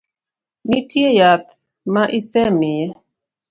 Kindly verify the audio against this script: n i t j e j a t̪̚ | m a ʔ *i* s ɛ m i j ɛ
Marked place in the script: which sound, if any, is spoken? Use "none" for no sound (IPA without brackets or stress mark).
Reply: i